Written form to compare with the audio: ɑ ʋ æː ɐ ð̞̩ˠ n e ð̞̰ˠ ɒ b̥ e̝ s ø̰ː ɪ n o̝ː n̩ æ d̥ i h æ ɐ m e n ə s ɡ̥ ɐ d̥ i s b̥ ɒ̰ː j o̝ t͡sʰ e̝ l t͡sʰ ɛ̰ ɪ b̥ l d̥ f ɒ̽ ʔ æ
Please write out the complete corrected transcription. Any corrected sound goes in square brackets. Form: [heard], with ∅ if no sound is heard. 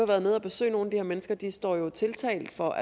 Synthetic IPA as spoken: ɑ ʋ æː ɐ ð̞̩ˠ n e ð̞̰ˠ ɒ b̥ e̝ s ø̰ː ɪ n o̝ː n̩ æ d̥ i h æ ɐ m e n ə s ɡ̥ ɐ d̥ i s [d̥] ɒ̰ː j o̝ t͡sʰ e̝ l t͡sʰ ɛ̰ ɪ [∅] l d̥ f ɒ̽ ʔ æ